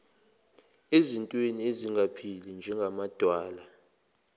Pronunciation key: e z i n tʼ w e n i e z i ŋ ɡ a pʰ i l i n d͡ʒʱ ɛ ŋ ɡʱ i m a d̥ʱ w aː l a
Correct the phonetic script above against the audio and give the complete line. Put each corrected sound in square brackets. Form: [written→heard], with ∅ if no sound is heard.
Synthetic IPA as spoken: e z i n tʼ w e n i e z i ŋ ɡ a pʰ i l i n d͡ʒʱ ɛ ŋ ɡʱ [i→a] m a d̥ʱ w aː l a